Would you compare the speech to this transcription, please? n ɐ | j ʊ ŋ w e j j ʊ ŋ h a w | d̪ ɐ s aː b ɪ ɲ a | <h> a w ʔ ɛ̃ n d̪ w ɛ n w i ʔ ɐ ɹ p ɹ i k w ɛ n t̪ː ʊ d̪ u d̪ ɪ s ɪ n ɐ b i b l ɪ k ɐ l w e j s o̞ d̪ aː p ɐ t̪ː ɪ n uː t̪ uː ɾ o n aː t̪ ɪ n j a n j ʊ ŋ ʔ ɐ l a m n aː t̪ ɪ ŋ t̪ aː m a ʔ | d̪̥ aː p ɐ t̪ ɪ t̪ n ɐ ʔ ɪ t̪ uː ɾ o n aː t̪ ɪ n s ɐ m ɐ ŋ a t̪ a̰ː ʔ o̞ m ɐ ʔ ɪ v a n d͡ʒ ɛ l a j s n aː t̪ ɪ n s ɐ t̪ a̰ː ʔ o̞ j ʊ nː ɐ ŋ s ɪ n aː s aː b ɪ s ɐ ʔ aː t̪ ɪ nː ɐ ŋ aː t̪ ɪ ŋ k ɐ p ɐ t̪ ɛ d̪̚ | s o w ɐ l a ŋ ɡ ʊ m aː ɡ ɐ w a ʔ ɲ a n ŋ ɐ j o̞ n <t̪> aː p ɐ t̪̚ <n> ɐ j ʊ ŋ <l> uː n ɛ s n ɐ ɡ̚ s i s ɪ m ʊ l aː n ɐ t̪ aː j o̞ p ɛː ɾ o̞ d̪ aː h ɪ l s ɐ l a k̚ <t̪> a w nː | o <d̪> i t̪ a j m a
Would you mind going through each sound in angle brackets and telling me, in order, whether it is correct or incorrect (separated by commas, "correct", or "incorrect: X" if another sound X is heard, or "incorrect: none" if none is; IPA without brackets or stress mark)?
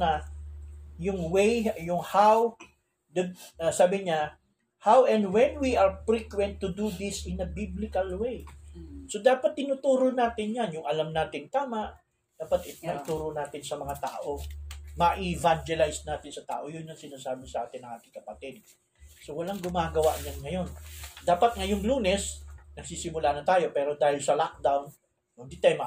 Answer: correct, incorrect: d̪, incorrect: ŋ, correct, incorrect: d̪, correct